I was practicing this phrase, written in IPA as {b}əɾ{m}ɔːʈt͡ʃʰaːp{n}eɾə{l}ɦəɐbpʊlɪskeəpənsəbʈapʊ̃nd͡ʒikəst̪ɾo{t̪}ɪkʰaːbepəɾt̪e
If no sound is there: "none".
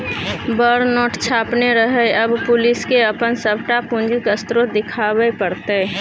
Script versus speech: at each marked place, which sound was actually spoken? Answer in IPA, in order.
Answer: b, n, n, none, d̪

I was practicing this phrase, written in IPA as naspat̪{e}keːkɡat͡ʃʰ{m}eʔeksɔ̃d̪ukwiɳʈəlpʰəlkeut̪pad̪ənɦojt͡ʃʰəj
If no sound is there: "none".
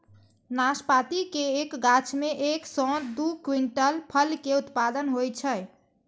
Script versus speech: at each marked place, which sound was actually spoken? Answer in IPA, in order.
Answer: i, m

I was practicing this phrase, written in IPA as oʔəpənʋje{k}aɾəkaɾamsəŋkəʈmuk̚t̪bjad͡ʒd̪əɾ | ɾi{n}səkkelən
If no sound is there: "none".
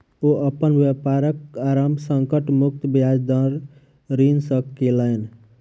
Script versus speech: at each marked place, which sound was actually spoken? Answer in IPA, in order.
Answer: p, n

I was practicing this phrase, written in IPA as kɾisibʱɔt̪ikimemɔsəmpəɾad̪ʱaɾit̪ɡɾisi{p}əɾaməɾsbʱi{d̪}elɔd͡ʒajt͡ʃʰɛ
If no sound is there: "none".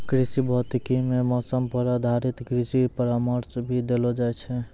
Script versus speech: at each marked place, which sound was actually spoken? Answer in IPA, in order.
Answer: p, d̪

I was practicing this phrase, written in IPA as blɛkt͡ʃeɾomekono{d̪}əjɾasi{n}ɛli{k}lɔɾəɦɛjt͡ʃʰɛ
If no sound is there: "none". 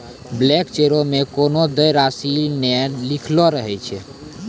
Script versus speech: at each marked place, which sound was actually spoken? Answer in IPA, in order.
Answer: d̪, n, kʰ

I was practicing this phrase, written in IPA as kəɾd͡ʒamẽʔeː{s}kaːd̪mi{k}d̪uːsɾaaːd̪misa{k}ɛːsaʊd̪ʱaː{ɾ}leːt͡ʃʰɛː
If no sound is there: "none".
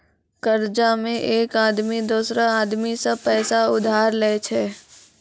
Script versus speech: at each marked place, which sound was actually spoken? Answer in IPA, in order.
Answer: none, none, p, ɾ

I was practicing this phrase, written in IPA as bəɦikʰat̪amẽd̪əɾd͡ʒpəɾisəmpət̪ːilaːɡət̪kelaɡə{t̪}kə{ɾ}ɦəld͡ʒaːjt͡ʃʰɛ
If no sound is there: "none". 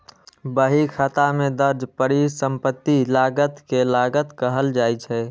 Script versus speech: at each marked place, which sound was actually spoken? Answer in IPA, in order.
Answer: t̪, none

